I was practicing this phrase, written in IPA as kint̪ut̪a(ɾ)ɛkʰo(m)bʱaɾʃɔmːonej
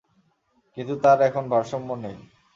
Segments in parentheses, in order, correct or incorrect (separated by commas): correct, incorrect